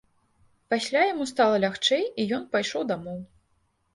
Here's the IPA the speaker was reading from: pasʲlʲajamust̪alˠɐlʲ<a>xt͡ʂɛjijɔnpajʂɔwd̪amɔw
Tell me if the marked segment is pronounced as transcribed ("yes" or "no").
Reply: yes